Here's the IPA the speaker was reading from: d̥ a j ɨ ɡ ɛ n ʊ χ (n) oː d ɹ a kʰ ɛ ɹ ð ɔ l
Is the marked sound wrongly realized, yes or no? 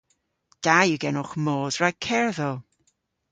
yes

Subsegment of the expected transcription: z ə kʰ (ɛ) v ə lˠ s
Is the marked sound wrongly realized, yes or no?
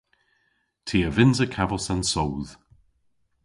yes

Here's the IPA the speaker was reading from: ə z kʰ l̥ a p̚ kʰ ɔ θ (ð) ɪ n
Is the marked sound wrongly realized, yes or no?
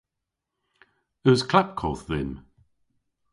no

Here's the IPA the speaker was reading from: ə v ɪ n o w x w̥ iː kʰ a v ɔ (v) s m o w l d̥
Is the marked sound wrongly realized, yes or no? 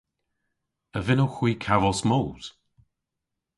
yes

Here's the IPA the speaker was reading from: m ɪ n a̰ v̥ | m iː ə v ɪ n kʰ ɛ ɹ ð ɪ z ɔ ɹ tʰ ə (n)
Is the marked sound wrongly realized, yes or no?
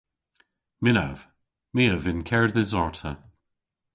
yes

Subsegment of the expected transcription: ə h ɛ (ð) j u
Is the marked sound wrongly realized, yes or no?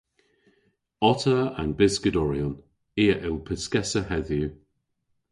no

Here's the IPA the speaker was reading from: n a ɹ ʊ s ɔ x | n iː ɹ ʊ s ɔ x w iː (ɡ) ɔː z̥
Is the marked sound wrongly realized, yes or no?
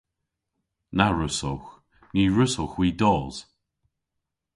yes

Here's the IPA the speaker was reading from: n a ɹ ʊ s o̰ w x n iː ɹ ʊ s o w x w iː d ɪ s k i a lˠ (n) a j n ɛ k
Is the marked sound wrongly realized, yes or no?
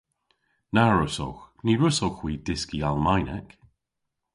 yes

